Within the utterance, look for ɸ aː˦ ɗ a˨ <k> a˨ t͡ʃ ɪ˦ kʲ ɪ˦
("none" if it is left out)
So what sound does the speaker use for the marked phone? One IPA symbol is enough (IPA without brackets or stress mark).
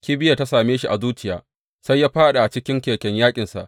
ʔ